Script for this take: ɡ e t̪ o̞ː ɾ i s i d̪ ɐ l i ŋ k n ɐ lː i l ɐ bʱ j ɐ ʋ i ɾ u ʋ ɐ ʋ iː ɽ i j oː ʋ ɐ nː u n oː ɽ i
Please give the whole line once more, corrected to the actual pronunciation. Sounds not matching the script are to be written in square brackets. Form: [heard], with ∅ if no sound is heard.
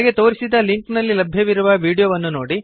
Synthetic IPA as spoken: ɡ e t̪ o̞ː ɾ i s i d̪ ɐ l i ŋ k n ɐ lː i l ɐ bʱ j ɐ ʋ i ɾ u ʋ ɐ ʋ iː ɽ i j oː ʋ ɐ nː u n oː ɽ i